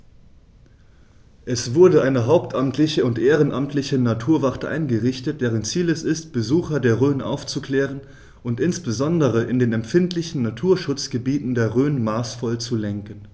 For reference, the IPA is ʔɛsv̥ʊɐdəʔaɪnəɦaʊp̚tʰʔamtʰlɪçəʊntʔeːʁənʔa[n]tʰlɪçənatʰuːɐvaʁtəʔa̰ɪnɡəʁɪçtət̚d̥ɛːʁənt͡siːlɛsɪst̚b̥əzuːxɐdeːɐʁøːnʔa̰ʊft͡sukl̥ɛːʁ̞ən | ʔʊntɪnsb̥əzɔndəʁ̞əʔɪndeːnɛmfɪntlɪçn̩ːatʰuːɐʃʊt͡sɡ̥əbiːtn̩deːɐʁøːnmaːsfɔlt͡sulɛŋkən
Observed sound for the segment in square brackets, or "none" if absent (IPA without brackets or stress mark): m